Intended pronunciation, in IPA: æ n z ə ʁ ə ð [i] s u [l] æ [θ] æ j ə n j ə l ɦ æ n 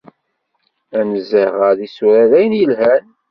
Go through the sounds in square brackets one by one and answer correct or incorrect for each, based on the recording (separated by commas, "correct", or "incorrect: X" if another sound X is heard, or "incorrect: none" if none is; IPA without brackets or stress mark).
correct, incorrect: ɾ, incorrect: ð